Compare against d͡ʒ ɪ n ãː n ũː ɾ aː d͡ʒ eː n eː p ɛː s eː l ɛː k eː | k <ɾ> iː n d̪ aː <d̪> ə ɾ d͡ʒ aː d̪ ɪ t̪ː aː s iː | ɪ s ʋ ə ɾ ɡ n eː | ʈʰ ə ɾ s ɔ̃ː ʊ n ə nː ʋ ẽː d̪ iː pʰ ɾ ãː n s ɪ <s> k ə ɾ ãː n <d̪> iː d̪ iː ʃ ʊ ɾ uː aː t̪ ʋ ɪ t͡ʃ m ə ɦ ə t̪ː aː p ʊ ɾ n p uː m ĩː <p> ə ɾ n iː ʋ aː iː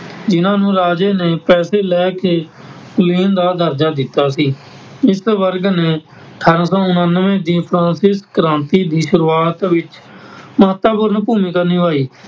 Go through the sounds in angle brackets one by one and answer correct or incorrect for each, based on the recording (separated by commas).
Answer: incorrect, correct, correct, incorrect, incorrect